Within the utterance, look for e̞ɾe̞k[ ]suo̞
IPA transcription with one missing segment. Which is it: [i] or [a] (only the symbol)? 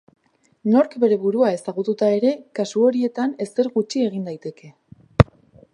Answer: a